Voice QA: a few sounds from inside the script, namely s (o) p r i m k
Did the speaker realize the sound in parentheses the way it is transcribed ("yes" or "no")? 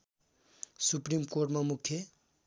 no